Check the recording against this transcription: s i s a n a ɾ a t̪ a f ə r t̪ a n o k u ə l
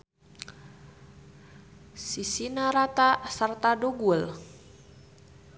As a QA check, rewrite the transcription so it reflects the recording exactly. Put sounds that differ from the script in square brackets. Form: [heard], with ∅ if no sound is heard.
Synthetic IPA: s i s [i] n a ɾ a t̪ a [s] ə r t̪ a [d] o [ɡ] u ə l

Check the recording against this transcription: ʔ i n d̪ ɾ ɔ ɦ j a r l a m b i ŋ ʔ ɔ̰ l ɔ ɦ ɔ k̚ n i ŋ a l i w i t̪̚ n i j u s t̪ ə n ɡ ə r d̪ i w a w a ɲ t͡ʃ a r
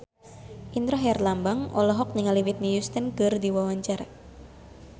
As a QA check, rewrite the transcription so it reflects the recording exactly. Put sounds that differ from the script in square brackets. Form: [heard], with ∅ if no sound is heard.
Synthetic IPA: ʔ i n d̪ ɾ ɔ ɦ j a r l a m b [a] ŋ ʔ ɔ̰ l ɔ ɦ ɔ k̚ n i ŋ a l i w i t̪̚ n i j u s t̪ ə n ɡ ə r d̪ i w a w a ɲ t͡ʃ a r

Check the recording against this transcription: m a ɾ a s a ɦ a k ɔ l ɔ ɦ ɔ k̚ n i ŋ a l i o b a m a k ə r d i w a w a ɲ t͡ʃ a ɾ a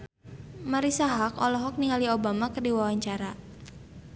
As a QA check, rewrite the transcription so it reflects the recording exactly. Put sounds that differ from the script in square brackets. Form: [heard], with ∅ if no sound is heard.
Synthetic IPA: m a ɾ [i] s a ɦ a k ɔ l ɔ ɦ ɔ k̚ n i ŋ a l i o b a m a k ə r d i w a w a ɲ t͡ʃ a ɾ a

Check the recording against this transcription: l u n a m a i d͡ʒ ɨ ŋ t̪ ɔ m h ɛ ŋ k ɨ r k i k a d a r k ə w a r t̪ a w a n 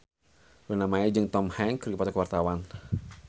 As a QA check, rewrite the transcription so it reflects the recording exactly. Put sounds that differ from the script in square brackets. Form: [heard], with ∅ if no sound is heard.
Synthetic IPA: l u n a m a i d͡ʒ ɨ ŋ t̪ ɔ m h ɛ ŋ k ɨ r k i [p] a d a [∅] k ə w a r t̪ a w a n

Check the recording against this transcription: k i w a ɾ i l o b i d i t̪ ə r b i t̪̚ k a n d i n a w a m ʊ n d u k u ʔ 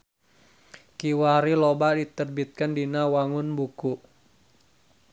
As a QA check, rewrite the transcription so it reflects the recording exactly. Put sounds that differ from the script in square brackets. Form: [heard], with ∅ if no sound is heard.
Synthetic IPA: k i w a ɾ i l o b [a] d i t̪ ə r b i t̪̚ k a n d i n a w a [ŋ] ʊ n [b] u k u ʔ

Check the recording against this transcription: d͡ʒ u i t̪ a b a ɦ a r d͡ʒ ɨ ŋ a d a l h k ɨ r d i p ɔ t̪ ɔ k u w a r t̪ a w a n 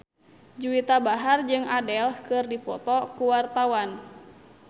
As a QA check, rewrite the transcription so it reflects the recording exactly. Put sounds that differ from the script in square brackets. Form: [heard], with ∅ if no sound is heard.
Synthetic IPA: d͡ʒ u i t̪ a b a ɦ a r d͡ʒ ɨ ŋ a d [ɛ] l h k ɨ r d i p ɔ t̪ ɔ k u w a r t̪ a w a n

